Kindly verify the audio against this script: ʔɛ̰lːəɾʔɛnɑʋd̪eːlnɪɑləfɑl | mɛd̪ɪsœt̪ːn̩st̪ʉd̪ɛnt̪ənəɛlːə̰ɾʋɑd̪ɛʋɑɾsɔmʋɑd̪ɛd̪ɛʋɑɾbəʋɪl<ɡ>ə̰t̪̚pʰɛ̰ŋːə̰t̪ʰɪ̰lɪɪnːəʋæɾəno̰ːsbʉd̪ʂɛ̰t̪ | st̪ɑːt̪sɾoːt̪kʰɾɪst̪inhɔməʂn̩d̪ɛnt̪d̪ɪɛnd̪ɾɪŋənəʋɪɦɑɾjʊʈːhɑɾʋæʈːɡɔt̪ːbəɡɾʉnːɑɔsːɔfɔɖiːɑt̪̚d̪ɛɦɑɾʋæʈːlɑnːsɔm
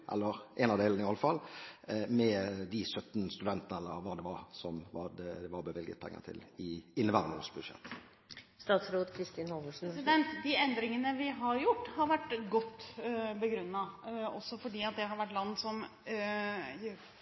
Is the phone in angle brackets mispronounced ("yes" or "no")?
no